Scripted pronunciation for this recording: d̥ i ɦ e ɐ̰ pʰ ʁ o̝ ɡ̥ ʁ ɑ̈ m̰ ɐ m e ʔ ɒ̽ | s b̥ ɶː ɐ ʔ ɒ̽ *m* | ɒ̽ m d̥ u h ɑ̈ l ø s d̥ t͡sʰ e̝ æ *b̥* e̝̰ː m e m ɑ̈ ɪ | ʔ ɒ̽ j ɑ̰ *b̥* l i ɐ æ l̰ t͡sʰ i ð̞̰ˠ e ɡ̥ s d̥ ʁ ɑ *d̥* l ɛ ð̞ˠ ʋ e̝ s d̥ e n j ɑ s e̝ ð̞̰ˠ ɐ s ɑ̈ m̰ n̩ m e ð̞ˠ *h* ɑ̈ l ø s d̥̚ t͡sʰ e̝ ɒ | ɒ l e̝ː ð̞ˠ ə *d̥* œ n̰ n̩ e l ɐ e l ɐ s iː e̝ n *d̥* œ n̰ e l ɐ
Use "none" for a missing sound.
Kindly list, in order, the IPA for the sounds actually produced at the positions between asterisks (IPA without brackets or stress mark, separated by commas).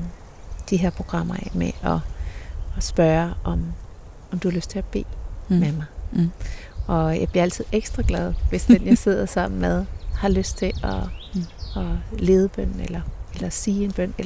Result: m, b̥, b̥, ɡ̥, h, b̥, b̥